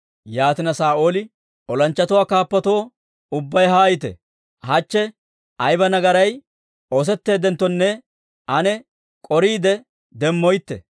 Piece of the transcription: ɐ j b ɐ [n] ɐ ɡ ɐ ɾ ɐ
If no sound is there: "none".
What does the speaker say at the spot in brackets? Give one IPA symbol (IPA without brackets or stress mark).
n